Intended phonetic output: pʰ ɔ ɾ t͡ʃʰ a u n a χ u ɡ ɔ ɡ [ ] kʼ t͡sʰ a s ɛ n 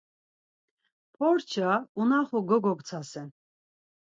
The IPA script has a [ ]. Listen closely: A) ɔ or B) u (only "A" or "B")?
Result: A